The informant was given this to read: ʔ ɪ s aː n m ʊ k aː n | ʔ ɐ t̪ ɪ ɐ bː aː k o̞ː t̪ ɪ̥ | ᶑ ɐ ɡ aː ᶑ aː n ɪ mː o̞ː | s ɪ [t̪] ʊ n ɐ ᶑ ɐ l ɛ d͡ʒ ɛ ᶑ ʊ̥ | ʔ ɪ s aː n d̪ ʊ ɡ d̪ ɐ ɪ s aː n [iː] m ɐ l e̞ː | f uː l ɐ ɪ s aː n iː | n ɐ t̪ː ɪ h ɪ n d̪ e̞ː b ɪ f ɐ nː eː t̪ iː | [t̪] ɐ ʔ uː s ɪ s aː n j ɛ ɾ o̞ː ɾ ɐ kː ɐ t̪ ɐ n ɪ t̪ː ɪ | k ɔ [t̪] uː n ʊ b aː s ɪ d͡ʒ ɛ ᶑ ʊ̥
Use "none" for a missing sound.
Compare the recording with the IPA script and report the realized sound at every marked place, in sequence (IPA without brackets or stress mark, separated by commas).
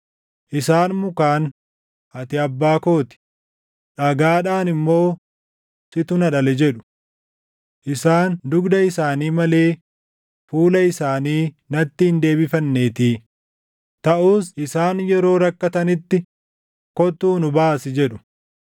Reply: t̪, iː, t̪, t̪